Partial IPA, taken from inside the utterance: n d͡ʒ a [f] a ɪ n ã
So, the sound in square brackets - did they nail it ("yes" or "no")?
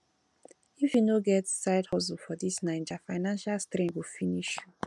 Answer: yes